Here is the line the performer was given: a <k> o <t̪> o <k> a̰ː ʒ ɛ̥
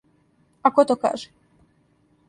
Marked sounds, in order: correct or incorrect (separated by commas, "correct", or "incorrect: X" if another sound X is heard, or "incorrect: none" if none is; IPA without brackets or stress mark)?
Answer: correct, correct, correct